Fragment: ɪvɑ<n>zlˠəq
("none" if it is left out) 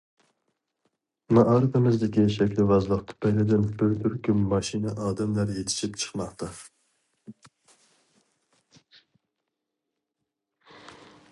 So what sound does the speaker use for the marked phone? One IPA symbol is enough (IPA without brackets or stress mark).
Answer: none